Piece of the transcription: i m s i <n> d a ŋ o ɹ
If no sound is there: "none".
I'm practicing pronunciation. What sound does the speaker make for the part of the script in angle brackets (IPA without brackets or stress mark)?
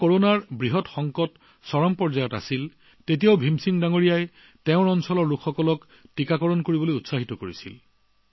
ŋ